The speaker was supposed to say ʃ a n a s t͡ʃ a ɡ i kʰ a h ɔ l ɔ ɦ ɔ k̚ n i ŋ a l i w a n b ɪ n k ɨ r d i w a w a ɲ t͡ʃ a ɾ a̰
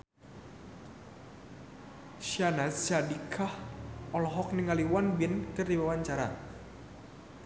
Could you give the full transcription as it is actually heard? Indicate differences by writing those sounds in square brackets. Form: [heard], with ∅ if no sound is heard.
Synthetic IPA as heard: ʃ a n a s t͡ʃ a [d] i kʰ a h ɔ l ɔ ɦ ɔ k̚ n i ŋ a l i w a n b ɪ n k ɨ r d i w a w a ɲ t͡ʃ a ɾ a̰